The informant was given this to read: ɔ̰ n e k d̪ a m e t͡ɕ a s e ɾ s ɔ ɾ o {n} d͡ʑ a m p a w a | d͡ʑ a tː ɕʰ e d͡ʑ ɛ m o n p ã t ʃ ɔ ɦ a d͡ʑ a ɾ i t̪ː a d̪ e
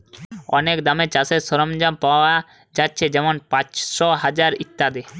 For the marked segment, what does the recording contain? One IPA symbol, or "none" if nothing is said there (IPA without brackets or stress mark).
m